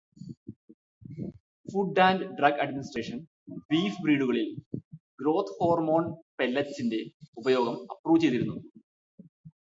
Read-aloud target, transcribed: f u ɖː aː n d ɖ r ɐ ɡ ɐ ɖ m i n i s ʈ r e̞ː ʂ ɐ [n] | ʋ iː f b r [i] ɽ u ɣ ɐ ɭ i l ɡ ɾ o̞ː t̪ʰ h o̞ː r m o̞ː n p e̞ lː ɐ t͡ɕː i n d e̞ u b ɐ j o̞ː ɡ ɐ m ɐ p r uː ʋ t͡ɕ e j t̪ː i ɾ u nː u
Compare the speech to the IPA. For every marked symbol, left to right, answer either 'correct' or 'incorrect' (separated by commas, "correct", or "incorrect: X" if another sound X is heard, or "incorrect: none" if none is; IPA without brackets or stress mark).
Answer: correct, incorrect: iː